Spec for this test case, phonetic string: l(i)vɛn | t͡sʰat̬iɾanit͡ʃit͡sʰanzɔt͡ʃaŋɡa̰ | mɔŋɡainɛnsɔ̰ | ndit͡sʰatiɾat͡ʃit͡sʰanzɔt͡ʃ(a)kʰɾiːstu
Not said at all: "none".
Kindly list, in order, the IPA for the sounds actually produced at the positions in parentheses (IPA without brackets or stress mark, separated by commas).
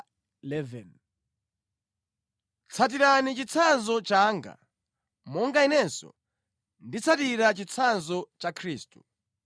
ɛ, a